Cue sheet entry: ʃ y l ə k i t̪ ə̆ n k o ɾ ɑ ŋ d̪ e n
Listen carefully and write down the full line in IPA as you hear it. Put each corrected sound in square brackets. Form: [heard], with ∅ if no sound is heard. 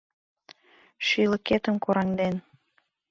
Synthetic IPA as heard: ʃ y l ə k [e] t̪ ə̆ [m] k o ɾ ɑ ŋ d̪ e n